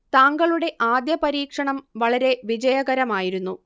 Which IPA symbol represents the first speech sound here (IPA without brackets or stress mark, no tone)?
t̪